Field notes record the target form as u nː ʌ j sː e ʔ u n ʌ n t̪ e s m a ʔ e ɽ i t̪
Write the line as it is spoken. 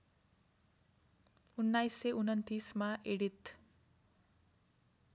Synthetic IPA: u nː a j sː e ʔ u n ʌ n t̪ i s m a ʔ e ɽ i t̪